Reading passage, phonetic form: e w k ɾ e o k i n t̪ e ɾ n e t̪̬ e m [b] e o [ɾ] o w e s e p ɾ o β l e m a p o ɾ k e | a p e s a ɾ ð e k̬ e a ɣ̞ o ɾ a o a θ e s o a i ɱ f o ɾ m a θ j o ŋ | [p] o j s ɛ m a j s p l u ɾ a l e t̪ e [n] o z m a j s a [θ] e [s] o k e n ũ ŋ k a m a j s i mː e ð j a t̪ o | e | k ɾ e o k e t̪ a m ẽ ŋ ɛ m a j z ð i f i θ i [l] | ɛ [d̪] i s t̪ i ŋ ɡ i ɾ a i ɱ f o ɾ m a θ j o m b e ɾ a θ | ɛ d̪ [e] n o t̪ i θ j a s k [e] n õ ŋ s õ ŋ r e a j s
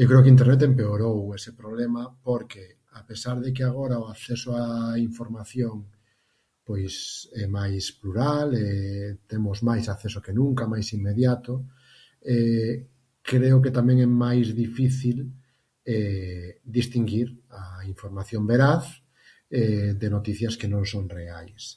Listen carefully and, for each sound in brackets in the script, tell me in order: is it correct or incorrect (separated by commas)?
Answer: incorrect, correct, correct, incorrect, correct, correct, correct, correct, correct, correct